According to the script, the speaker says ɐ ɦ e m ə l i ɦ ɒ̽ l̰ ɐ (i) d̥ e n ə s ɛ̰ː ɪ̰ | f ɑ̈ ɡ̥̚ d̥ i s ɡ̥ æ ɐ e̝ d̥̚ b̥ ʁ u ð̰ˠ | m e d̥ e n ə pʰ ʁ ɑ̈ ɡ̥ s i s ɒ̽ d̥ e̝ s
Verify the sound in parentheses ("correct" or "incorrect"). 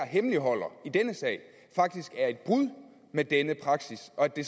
correct